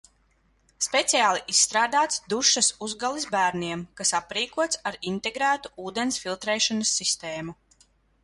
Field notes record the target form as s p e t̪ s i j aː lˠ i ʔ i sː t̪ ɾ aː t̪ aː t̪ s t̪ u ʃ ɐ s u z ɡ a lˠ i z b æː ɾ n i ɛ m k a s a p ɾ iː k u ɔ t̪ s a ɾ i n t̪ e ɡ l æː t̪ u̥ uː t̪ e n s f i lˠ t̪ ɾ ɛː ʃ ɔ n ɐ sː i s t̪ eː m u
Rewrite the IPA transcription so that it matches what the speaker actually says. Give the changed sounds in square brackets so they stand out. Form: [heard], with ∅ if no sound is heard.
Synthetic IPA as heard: s p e t̪ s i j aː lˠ i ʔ i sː t̪ ɾ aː [d̪] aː t̪ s [d̪] u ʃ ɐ s u z ɡ a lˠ i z b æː ɾ n i ɛ m k a s a p ɾ iː k u ɔ t̪ s a ɾ i n t̪ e ɡ [ɾ] æː t̪ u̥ uː [d̪] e n s f i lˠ t̪ ɾ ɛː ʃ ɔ n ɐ sː i s t̪ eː m u